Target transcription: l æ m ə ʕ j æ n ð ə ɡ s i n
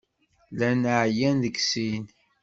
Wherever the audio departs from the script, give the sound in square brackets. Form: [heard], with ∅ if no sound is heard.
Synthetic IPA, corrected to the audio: l æ [n] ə ʕ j æ n ð ə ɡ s i n